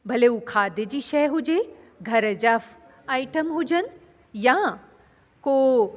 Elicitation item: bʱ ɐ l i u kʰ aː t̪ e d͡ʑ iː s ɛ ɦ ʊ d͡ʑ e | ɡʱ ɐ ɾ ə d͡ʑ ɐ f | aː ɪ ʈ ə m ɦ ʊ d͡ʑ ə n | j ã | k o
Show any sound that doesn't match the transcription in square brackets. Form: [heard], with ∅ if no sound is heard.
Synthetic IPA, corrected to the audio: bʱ ɐ l [e] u kʰ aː [d̪] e d͡ʑ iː [ʃ] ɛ ɦ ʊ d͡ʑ e | ɡʱ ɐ ɾ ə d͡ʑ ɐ f | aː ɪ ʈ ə m ɦ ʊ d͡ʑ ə n | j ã | k o